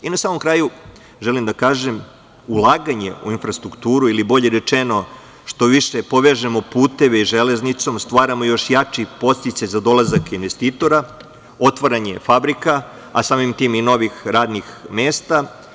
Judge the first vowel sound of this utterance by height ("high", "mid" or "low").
high